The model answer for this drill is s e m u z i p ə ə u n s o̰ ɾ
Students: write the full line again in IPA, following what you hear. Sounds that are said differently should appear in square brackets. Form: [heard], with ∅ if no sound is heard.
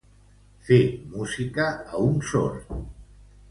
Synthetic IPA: [f] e m u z i [k] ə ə u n s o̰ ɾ